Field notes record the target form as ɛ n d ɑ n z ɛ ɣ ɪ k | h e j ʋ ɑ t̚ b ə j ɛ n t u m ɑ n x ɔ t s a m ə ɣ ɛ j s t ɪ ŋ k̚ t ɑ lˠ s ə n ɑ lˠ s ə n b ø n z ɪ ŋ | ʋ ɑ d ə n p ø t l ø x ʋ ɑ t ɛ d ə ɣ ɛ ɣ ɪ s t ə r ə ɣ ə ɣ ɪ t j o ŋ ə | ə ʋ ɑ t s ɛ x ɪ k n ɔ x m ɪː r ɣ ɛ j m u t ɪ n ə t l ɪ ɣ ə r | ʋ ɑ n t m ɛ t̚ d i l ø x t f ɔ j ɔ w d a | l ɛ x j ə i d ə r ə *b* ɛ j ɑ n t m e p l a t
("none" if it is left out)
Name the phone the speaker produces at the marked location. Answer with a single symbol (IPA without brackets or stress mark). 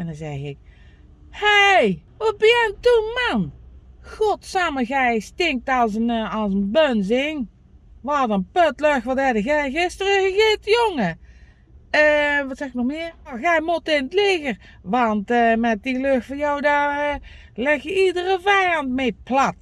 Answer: v